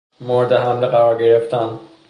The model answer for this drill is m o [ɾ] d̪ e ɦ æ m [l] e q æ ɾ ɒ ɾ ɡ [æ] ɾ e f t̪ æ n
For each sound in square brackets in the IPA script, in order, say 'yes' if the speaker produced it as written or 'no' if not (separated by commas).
yes, yes, no